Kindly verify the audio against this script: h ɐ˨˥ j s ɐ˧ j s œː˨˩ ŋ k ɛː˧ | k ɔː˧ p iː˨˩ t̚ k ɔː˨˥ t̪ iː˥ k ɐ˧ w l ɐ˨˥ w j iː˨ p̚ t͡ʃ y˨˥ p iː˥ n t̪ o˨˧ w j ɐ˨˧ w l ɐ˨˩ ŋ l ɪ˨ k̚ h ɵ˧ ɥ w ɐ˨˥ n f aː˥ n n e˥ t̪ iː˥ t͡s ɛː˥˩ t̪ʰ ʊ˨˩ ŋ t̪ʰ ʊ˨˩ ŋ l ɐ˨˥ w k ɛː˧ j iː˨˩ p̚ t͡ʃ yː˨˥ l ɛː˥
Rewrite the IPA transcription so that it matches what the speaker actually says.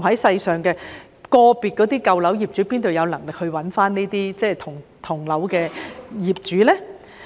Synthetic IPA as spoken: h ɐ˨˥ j s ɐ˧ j s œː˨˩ ŋ k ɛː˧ | k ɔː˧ p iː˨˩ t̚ k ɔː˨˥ t̪ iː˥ k ɐ˧ w l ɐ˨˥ w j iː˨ p̚ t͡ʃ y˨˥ p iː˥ n t̪ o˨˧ w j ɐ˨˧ w l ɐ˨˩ ŋ l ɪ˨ k̚ h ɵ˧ ɥ w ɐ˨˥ n f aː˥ n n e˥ t̪ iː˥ t͡s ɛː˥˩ t̪ʰ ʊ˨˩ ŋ t̪ʰ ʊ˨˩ ŋ l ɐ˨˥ w k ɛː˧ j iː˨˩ p̚ t͡ʃ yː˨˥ l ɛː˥

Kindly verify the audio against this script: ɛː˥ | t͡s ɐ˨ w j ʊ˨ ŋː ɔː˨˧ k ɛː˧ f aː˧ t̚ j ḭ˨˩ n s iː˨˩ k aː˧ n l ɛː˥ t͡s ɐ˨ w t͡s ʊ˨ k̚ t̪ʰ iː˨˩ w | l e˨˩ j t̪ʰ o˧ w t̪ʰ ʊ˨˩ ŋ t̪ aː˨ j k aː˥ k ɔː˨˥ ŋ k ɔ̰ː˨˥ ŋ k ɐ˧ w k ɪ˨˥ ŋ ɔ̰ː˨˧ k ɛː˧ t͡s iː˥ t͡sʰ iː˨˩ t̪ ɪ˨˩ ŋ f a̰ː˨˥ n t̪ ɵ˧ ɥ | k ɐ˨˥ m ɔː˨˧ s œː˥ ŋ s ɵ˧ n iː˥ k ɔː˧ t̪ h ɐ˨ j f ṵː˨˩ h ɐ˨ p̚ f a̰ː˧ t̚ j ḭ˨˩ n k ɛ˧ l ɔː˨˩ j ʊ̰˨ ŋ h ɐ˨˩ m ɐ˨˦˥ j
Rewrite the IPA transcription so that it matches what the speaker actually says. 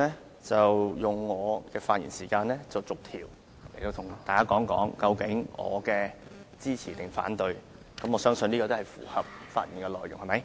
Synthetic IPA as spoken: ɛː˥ | t͡s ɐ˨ w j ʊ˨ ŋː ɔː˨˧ k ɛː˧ f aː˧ t̚ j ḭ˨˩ n s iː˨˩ k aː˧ n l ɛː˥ t͡s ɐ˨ w t͡s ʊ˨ k̚ t̪ʰ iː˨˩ w | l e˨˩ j t̪ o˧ w t̪ʰ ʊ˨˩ ŋ t̪ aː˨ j k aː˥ k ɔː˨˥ ŋ k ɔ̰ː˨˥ ŋ k ɐ˧ w k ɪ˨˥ ŋ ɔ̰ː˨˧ k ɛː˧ t͡s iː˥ t͡sʰ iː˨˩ t̪ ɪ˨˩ ŋ f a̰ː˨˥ n t̪ ɵ˧ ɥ | k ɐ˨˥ m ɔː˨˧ s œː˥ ŋ s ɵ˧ n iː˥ k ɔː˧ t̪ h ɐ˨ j f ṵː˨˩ h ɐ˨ p̚ f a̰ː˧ t̚ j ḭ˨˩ n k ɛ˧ l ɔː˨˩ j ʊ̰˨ ŋ h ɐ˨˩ m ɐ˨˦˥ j

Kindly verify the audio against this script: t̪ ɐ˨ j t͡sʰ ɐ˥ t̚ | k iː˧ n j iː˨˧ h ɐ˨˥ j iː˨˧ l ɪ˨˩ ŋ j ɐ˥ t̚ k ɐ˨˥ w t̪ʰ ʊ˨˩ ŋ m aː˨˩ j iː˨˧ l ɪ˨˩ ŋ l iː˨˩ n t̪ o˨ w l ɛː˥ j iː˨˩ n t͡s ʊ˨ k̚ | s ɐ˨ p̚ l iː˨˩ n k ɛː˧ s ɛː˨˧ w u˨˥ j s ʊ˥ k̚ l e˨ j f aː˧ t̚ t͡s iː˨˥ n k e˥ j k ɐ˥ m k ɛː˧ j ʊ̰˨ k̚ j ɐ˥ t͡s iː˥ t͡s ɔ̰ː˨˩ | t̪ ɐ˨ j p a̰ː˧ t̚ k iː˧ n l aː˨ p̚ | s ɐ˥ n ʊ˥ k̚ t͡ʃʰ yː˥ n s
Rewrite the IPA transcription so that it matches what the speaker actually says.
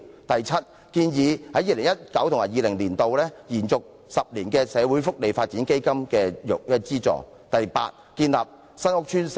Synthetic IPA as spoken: t̪ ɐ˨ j t͡sʰ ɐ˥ t̚ | k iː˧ n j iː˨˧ h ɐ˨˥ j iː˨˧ l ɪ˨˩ ŋ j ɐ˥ t̚ k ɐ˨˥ w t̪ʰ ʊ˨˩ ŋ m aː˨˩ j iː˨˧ l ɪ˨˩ ŋ l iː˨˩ n t̪ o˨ w l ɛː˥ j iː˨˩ n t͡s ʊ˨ k̚ | s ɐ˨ p̚ l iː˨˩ n k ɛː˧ s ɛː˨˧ w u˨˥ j f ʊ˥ k̚ l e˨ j f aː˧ t̚ t͡s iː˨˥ n k e˥ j k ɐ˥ m k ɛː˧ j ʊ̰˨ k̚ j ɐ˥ t͡s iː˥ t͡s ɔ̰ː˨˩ | t̪ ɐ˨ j p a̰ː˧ t̚ k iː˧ n l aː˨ p̚ | s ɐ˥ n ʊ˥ k̚ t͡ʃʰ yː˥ n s

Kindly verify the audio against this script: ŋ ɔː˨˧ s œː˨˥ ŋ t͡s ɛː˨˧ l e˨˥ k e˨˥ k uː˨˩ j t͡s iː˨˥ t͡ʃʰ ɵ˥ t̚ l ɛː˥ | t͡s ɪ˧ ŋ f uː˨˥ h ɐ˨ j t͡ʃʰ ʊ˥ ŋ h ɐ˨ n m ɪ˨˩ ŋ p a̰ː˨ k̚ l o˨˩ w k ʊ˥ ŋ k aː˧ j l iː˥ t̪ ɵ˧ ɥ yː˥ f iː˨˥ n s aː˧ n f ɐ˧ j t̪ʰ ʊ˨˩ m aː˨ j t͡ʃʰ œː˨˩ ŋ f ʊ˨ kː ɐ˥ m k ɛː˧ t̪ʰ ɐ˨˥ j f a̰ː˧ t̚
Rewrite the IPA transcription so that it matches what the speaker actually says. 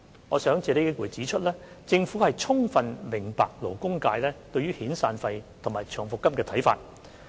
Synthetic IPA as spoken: ŋ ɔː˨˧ s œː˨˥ ŋ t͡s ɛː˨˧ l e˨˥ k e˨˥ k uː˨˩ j t͡s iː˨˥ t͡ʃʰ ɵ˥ t̚ l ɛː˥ | t͡s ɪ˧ ŋ f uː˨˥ h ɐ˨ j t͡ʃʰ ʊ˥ ŋ f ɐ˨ n m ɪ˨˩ ŋ p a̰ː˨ k̚ l o˨˩ w k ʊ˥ ŋ k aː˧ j l ɛː˥ t̪ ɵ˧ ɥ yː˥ h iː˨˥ n s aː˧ n f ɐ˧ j t̪ʰ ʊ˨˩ m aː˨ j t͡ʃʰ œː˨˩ ŋ f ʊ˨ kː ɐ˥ m k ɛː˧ t̪ʰ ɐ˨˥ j f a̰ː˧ t̚

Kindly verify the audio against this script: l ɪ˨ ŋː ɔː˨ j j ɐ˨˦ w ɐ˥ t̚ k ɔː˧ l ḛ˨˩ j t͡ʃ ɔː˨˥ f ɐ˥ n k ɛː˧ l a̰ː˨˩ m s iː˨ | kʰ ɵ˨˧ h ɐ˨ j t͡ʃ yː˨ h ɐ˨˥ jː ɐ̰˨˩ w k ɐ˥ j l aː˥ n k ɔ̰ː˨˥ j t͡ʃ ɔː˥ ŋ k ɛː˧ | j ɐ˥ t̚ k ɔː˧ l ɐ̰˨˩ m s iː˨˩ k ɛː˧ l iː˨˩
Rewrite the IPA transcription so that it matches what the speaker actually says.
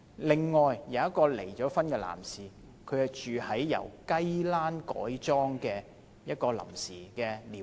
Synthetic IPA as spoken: l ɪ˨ ŋː ɔː˨ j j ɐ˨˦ w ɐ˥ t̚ k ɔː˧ l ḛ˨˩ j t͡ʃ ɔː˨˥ f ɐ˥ n k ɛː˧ l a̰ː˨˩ m s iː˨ | kʰ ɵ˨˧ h ɐ˨ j t͡ʃ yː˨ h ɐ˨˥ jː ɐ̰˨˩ w k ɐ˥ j l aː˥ n k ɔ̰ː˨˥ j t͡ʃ ɔː˥ ŋ k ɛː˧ | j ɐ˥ t̚ k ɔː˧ l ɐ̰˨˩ m s iː˨˩ k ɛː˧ l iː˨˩

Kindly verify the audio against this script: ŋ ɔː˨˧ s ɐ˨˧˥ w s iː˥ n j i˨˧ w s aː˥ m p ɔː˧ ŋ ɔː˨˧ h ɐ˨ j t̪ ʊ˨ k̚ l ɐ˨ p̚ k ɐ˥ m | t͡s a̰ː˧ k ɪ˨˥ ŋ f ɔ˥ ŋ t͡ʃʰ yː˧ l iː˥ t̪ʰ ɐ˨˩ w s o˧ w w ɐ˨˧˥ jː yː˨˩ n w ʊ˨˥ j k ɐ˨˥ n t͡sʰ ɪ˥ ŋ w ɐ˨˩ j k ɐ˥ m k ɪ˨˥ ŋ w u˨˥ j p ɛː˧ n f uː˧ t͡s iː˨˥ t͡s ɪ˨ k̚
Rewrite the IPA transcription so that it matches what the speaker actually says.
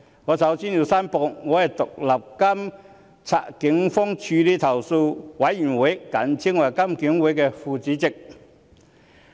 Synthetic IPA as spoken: ŋ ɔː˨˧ s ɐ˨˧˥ w s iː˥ n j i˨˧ w s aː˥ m p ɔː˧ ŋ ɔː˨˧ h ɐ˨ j t̪ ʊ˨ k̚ l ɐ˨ p̚ k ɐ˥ m | t͡sʰ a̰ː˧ k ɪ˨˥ ŋ f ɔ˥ ŋ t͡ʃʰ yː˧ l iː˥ t̪ʰ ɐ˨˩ w s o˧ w w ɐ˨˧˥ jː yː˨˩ n w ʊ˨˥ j k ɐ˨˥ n t͡sʰ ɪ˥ ŋ w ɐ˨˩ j k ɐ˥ m k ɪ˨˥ ŋ w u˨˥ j k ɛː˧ f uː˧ t͡s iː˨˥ t͡s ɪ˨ k̚

